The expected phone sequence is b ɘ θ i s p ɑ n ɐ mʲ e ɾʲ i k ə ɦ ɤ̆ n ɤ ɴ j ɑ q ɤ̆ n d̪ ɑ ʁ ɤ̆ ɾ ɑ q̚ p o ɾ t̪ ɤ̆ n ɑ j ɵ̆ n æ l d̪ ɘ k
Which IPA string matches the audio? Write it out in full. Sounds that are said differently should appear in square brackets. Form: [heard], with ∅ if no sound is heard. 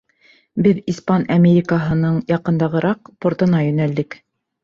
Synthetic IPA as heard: b ɘ [ð] i s p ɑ n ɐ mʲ e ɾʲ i k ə ɦ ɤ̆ n ɤ ɴ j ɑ q ɤ̆ n d̪ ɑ ʁ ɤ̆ ɾ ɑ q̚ p o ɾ t̪ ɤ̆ n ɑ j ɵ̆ n æ l d̪ ɘ k